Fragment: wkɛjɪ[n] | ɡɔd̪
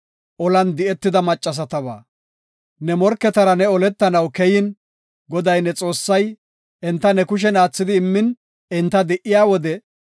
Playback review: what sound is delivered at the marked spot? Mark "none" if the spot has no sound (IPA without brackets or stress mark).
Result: n